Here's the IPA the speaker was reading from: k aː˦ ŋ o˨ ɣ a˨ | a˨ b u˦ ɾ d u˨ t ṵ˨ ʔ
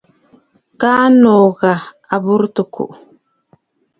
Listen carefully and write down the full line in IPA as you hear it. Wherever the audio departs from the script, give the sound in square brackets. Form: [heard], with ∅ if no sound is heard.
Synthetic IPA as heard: k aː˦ [n] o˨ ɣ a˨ | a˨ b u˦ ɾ [t] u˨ [k] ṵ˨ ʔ